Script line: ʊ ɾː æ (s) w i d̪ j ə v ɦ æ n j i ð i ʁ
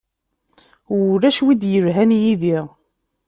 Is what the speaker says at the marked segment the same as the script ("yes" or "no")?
no